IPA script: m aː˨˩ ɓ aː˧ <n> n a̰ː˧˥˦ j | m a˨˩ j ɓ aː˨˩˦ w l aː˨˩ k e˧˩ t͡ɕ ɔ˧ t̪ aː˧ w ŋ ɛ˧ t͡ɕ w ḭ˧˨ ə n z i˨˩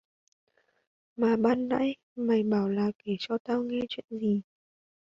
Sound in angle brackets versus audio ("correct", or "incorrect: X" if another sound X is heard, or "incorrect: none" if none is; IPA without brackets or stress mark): correct